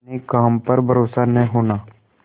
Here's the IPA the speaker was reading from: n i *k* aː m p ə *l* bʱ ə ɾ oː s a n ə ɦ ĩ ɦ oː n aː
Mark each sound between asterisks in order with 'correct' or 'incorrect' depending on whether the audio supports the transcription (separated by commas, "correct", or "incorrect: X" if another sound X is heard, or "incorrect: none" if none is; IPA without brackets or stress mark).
correct, incorrect: ɾ